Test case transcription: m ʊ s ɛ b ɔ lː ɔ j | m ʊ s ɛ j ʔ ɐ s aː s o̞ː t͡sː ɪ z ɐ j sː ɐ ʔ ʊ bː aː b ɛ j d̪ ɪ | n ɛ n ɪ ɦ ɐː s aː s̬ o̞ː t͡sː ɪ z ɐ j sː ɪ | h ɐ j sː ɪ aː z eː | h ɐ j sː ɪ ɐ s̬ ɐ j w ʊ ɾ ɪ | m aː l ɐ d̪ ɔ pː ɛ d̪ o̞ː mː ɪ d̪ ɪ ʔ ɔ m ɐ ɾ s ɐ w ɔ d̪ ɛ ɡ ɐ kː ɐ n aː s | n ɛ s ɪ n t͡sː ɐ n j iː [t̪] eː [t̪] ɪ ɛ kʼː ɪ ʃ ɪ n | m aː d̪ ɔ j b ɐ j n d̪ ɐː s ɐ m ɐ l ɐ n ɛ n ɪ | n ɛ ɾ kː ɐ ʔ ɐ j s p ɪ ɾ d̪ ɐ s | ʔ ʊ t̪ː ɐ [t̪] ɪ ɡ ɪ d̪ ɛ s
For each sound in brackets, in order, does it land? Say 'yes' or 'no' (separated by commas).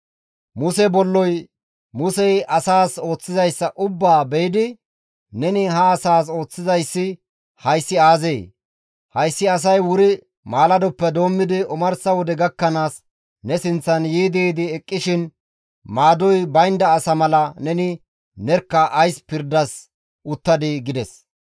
no, no, no